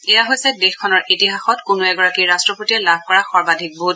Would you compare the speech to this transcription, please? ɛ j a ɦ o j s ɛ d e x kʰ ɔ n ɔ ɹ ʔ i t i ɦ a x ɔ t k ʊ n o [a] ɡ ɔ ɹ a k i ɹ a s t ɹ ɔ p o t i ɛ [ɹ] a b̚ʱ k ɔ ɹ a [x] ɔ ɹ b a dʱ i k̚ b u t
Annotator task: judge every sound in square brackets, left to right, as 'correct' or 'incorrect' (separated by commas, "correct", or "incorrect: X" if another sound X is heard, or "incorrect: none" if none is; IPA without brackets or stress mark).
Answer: incorrect: ɛ, incorrect: l, correct